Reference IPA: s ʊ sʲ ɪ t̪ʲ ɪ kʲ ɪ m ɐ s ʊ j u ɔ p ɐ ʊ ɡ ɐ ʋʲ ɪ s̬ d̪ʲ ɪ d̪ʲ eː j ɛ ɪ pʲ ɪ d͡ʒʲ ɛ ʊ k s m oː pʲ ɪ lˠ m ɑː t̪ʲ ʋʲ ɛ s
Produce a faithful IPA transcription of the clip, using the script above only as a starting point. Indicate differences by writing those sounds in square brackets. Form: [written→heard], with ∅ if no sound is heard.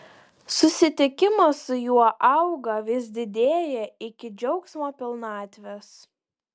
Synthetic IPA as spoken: s ʊ sʲ ɪ t̪ʲ ɪ kʲ ɪ m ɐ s ʊ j u ɔ [p→ʔ] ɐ ʊ ɡ ɐ ʋʲ ɪ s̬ d̪ʲ ɪ d̪ʲ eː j ɛ ɪ [pʲ→kʲ] ɪ d͡ʒʲ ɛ ʊ k s m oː pʲ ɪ lˠ [m→n] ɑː t̪ʲ ʋʲ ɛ s